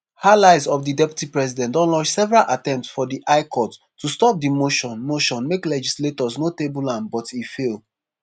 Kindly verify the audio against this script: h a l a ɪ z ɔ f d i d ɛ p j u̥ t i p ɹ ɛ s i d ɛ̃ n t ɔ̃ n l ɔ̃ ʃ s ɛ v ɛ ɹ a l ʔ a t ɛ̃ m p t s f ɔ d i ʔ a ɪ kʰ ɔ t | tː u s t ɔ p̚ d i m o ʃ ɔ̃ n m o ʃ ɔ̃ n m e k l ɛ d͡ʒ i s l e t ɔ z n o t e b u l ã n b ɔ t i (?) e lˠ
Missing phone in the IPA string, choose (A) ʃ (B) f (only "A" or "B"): B